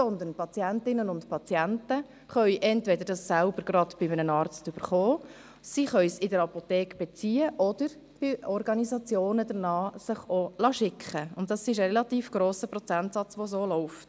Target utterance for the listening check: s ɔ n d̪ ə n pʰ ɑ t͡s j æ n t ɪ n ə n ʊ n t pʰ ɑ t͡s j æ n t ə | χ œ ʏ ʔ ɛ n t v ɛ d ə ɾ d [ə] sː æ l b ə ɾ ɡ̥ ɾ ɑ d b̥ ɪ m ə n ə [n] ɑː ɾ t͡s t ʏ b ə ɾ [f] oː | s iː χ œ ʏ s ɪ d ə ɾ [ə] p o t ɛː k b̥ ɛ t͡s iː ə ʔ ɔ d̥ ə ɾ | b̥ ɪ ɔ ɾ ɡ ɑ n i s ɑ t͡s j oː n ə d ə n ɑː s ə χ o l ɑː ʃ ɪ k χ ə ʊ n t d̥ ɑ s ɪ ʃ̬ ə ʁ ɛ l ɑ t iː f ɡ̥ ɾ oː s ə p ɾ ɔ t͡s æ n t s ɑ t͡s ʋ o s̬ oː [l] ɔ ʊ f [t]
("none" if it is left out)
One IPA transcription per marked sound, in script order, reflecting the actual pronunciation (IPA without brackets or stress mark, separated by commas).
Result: ɑ, n, χ, ɑ, l, t